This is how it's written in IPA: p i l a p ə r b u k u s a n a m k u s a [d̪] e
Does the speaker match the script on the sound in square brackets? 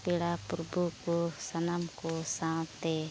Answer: no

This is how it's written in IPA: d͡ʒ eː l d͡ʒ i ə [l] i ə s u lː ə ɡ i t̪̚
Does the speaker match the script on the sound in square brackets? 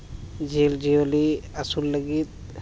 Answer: yes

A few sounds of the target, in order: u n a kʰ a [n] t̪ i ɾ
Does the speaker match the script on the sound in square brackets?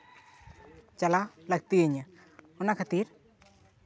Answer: no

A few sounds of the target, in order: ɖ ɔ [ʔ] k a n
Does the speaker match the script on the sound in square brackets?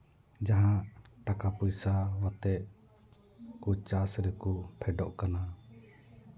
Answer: yes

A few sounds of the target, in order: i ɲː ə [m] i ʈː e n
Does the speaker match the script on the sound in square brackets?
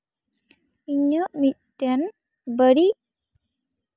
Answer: yes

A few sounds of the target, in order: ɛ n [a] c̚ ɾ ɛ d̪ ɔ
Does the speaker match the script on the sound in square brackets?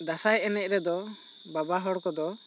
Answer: no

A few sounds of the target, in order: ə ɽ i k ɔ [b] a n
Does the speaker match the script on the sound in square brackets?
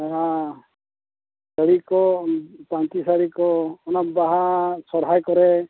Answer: no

